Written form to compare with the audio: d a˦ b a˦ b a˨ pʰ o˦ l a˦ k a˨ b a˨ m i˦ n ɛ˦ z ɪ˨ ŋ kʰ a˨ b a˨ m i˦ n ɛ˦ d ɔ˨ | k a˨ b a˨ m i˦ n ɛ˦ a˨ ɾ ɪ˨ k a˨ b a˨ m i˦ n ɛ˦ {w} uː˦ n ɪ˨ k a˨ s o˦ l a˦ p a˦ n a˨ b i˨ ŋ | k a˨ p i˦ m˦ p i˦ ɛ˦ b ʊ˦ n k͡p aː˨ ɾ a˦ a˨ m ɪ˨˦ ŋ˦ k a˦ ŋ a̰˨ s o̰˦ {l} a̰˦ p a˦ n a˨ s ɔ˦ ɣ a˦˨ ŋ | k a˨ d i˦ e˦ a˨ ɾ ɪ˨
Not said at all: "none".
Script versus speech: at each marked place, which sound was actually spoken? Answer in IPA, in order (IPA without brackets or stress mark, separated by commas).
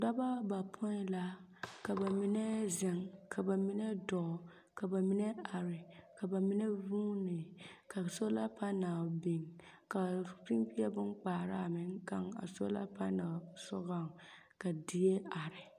v, l